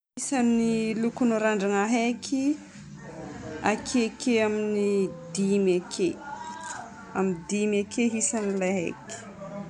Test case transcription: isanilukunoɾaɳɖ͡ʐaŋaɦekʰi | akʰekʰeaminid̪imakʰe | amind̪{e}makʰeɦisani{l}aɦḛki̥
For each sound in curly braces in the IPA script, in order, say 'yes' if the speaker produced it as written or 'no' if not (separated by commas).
no, yes